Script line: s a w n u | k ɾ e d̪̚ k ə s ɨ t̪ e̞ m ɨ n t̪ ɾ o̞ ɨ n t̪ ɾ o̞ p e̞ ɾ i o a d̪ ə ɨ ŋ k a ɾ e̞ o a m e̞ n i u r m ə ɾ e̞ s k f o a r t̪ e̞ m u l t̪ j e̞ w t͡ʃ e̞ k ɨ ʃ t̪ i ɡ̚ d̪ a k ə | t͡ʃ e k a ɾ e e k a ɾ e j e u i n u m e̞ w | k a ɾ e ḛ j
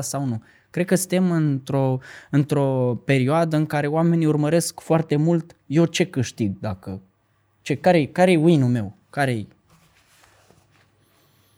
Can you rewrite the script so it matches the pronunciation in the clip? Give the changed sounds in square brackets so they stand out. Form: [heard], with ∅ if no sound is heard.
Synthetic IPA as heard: s a w n u | k ɾ e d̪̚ k ə s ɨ t̪ e̞ m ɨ n t̪ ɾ o̞ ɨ n t̪ ɾ o̞ p e̞ ɾ i o a d̪ ə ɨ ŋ k a ɾ e̞ o a m e̞ n i u r m ə ɾ e̞ s k f o a r t̪ e̞ m u l t̪ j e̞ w t͡ʃ e̞ k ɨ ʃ t̪ i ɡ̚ d̪ a k ə | t͡ʃ e k a ɾ e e k a ɾ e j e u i n u m e̞ w | k a ɾ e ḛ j